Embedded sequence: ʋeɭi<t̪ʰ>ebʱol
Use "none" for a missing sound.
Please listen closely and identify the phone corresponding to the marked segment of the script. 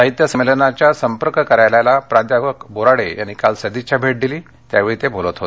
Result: t̪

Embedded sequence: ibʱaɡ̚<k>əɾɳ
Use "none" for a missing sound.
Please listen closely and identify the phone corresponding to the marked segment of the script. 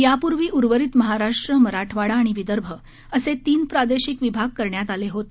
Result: k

